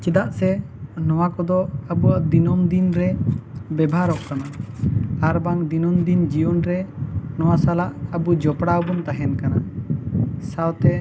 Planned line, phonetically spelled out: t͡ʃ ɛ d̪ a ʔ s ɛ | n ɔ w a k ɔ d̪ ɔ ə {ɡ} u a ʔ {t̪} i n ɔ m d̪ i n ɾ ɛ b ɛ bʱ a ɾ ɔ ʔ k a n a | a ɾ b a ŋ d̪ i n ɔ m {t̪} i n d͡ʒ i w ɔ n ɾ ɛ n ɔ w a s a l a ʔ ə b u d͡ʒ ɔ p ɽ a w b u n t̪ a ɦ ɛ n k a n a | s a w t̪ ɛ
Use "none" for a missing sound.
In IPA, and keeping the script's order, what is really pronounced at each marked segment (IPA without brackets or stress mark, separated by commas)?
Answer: b, d̪, d̪